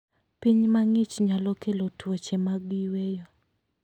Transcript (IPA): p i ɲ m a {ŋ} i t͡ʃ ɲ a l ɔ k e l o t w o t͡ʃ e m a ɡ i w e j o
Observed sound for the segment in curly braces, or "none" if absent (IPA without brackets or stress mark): ŋ